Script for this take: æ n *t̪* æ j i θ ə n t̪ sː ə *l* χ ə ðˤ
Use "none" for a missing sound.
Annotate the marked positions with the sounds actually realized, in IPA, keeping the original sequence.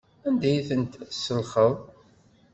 d̪, l

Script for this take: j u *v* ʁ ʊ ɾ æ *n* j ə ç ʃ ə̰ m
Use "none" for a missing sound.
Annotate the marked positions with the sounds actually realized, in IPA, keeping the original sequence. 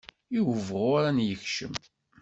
v, n

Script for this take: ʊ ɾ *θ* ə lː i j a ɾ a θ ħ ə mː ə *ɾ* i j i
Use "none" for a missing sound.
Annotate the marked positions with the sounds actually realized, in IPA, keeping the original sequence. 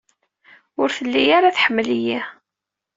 θ, l

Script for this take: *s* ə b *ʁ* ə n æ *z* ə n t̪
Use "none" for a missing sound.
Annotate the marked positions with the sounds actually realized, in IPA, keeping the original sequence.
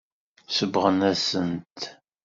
s, ʁ, s

